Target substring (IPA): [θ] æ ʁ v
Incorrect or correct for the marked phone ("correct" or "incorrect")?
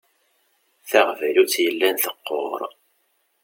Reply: correct